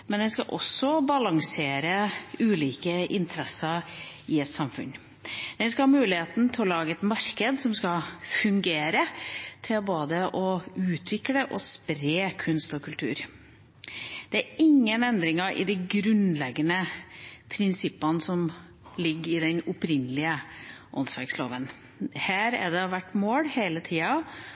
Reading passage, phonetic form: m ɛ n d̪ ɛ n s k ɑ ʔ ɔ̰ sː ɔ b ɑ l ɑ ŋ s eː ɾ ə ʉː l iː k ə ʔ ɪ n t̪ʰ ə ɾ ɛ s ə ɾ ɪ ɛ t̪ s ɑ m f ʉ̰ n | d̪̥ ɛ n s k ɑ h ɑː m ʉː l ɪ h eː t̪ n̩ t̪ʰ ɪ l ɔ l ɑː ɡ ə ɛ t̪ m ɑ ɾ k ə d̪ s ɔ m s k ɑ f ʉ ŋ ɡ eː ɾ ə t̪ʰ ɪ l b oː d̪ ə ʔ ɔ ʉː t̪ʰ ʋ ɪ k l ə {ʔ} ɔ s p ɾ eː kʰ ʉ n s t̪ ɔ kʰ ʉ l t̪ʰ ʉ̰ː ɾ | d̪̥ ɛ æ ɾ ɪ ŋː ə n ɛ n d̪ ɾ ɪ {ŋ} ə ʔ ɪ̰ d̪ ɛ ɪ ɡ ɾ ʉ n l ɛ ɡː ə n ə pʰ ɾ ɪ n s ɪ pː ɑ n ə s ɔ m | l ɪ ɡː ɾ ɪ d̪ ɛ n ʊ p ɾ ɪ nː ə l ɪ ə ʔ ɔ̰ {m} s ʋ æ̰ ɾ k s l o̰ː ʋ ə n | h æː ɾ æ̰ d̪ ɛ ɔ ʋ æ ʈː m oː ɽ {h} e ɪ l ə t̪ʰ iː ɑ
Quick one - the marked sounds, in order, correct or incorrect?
correct, correct, incorrect, correct

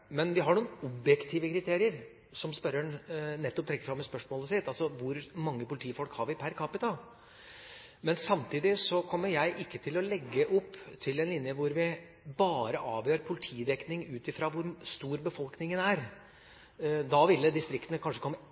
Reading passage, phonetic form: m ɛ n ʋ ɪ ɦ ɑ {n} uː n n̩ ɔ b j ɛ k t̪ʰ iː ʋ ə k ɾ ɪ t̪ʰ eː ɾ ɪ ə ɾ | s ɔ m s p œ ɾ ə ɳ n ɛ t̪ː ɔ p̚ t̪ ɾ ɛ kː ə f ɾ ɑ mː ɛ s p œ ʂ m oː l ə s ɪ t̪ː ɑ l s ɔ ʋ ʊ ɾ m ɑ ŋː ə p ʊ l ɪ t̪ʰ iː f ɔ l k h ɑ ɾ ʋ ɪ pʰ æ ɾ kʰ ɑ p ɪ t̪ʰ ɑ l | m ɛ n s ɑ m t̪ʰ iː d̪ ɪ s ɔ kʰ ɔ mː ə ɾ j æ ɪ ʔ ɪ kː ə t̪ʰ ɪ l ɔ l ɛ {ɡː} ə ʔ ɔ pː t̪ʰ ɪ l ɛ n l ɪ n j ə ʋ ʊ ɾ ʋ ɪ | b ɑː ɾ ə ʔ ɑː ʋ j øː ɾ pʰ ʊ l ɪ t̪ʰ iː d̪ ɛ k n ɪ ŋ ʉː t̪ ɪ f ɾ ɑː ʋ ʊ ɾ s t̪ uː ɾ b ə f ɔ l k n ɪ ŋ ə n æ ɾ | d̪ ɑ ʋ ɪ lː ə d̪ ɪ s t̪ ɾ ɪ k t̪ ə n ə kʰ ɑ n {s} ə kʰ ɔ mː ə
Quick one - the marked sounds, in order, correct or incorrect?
incorrect, correct, incorrect

